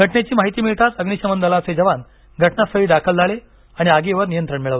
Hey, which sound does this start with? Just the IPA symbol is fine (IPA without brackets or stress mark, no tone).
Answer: ɡʱ